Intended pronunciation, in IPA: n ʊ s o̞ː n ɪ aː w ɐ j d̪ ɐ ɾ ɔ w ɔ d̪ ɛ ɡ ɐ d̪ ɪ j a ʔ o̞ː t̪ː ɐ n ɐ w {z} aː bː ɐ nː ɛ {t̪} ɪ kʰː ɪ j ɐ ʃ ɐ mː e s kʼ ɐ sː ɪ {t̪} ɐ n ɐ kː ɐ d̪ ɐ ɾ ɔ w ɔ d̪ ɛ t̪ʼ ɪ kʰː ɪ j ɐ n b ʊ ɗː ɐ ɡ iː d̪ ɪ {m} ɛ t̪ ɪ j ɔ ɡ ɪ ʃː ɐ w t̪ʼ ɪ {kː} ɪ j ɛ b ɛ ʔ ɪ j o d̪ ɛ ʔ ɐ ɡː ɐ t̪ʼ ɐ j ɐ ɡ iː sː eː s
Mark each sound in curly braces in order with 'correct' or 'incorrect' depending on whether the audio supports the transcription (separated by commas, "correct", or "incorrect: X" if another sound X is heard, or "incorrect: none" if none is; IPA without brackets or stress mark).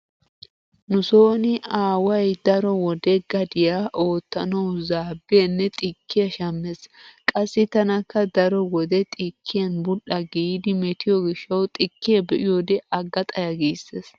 correct, incorrect: t̪ʼ, correct, correct, correct